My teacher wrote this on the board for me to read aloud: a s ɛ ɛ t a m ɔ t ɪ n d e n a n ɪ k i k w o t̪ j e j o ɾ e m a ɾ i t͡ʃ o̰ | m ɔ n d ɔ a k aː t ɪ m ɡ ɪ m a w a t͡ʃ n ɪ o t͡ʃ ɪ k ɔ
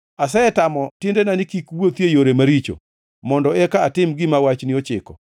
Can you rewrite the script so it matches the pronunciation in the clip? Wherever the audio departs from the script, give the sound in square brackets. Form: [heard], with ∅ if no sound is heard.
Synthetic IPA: a s ɛ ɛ t a m ɔ t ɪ n d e n a n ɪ k i k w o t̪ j e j o ɾ e m a ɾ i t͡ʃ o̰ | m ɔ n d ɔ [ɛ] k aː t ɪ m ɡ ɪ m a w a t͡ʃ n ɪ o t͡ʃ ɪ k ɔ